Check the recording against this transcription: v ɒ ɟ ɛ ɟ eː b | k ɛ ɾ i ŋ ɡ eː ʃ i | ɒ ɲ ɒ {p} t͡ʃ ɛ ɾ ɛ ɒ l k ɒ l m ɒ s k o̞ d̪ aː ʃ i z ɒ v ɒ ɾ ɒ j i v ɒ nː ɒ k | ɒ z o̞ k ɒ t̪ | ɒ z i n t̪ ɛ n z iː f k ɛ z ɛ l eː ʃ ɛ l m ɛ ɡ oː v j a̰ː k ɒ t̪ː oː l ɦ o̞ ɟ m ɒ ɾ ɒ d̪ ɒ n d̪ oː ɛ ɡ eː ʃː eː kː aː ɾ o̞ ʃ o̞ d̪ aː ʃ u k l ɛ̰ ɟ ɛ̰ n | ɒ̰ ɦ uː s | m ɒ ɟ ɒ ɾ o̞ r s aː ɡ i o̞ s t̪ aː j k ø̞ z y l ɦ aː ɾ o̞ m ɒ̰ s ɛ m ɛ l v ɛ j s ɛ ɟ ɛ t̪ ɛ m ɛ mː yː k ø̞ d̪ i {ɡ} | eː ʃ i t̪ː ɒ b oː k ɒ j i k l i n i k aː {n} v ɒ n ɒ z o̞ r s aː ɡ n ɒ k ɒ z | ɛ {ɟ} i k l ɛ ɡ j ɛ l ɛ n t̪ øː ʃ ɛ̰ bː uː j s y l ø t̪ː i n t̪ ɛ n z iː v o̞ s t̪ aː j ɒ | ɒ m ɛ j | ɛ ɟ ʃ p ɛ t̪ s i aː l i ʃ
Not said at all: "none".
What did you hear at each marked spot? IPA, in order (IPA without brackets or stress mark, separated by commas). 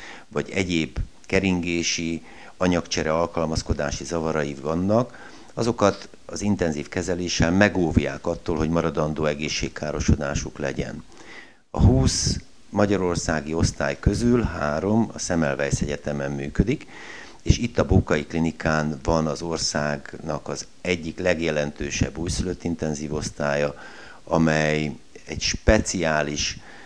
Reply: k, k, n, ɟː